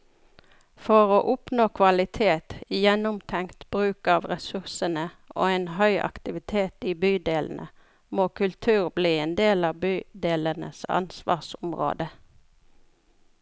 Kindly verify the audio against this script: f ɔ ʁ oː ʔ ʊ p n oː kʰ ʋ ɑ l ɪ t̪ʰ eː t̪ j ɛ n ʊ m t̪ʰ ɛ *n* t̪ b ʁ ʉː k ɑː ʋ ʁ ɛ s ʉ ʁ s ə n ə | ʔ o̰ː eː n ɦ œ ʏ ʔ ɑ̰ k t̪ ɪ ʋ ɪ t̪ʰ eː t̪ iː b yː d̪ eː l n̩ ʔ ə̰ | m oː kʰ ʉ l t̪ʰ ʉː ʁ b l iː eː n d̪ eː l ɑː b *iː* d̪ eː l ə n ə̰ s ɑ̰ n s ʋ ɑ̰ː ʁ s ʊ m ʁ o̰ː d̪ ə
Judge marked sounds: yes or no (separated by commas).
no, no